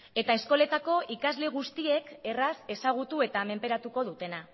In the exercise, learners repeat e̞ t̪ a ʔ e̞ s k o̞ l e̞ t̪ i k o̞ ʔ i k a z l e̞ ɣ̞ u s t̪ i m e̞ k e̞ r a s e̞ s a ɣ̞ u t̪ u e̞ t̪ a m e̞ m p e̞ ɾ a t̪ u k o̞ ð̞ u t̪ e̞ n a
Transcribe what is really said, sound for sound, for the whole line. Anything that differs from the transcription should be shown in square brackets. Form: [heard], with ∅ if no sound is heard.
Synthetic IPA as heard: e̞ t̪ a [∅] e̞ s k o̞ l e̞ t̪ [a] k o̞ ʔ i k a z l e̞ ɣ̞ u s t̪ i [∅] e̞ k e̞ r a s e̞ s a ɣ̞ u t̪ u e̞ t̪ a m e̞ m p e̞ ɾ a t̪ u k o̞ ð̞ u t̪ e̞ n a